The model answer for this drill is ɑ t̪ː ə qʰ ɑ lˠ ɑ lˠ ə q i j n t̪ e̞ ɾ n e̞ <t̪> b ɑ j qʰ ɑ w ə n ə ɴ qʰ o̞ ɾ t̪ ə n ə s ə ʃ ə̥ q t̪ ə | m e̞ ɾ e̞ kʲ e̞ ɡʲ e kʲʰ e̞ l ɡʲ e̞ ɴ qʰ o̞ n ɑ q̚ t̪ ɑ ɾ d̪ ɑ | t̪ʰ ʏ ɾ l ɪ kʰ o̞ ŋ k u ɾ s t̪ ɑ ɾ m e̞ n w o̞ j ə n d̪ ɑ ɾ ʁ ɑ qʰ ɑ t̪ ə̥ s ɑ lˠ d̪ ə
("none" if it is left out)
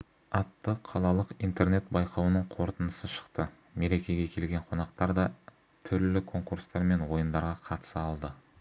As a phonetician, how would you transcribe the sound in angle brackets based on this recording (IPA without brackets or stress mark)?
t̪